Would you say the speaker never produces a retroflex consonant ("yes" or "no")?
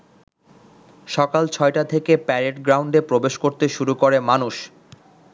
no